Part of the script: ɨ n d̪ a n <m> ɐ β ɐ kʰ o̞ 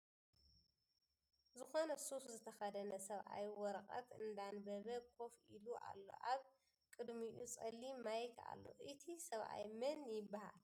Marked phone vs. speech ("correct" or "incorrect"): incorrect